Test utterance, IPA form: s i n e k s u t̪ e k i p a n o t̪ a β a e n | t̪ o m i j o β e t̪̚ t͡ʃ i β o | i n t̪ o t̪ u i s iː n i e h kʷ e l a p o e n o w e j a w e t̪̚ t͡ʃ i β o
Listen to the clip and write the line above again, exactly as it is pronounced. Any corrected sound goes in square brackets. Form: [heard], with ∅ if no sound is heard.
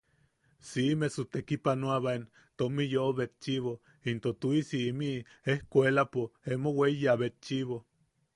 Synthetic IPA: s i [m] e [∅] s u t̪ e k i p a n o [∅] a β a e n | t̪ o m i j o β e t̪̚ t͡ʃ i β o | i n t̪ o t̪ u i s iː [m] i e h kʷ e l a p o e [m] o w e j a [β] e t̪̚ t͡ʃ i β o